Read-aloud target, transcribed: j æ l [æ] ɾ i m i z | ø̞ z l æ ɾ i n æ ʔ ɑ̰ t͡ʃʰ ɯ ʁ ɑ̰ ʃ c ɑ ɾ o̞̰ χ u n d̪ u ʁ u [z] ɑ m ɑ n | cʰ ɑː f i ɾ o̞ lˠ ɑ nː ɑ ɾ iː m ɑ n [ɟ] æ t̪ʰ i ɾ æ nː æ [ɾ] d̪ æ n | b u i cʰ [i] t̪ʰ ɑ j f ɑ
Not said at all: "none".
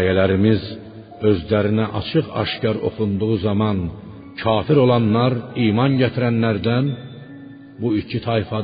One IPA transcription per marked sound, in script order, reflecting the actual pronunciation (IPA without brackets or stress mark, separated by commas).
æ, z, ɟ, ɾ, i